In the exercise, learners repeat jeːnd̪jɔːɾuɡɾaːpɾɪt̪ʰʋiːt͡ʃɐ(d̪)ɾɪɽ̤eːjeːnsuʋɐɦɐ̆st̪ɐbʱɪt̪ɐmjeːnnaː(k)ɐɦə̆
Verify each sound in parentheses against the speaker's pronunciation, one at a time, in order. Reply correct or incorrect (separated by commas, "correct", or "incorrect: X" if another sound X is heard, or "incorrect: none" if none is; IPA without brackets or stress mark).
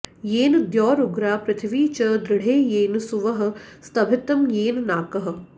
correct, correct